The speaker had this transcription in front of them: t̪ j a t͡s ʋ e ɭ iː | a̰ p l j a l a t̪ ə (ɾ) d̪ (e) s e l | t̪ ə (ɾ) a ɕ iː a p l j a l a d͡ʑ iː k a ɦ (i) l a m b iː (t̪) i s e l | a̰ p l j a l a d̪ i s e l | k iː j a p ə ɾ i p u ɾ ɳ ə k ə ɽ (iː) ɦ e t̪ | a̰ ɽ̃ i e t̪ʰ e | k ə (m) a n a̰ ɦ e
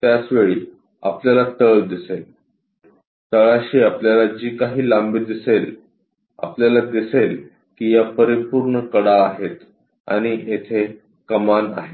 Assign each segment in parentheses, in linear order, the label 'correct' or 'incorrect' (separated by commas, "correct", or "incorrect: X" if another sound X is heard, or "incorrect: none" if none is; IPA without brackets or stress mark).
incorrect: ɭ, incorrect: i, incorrect: ɭ, incorrect: iː, incorrect: d̪, incorrect: aː, correct